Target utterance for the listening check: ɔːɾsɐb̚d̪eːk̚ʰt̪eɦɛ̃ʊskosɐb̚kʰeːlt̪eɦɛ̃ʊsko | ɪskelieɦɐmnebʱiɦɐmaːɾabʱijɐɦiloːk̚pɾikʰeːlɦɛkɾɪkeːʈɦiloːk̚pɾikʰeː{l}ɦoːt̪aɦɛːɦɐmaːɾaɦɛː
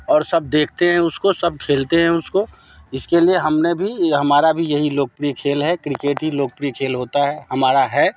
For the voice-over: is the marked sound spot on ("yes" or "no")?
yes